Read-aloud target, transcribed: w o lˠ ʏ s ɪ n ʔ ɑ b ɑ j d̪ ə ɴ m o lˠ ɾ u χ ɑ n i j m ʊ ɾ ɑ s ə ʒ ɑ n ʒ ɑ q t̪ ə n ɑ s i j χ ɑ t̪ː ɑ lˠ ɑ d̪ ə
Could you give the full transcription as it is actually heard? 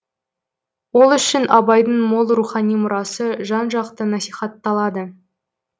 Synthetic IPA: w o lˠ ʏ ʃ ɪ n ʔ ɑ b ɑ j d̪ ə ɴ m o lˠ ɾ u χ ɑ n i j m ʊ ɾ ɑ s ə ʒ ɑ n ʒ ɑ q t̪ ə n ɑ s i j χ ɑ t̪ː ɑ lˠ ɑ d̪ ə